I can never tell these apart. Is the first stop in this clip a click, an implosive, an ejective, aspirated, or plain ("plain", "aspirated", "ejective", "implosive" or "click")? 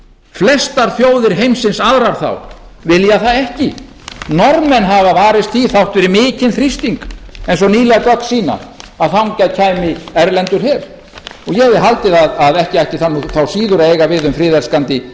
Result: plain